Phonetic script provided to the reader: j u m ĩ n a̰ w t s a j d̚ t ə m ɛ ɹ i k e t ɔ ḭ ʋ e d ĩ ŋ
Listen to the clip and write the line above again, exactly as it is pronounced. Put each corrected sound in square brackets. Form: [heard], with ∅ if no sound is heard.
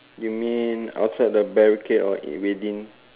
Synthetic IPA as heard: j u m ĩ n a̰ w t s a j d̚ [d] ə [b] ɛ ɹ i k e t ɔ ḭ [w] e d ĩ [n]